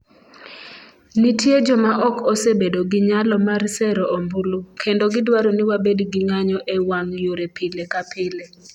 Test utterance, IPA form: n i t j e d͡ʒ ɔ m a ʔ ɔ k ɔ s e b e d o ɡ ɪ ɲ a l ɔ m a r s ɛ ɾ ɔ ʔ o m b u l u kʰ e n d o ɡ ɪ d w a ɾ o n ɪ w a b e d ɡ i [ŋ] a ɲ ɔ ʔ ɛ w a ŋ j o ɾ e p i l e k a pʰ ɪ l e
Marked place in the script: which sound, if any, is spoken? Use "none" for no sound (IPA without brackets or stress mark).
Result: ŋ